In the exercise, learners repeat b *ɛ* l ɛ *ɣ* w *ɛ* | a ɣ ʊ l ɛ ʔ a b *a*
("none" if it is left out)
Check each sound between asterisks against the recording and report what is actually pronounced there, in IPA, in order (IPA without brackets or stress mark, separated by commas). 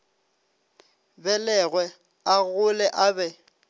ɛ, ɣ, ɛ, ɛ